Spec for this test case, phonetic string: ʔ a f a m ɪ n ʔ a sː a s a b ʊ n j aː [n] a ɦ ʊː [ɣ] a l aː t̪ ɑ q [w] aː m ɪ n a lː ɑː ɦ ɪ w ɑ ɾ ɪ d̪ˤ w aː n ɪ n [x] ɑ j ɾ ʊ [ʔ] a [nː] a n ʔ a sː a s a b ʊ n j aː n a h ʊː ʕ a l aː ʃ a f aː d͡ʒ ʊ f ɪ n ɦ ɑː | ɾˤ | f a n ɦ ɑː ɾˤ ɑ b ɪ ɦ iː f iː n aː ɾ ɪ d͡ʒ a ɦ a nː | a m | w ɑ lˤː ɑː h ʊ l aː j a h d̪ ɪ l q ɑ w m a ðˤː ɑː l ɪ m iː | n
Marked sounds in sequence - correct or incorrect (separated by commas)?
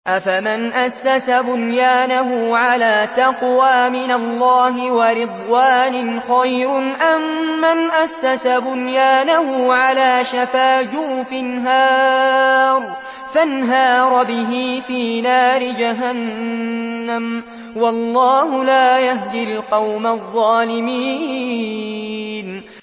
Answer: correct, incorrect, correct, correct, correct, incorrect